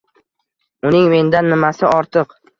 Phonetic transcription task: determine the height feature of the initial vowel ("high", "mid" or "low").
high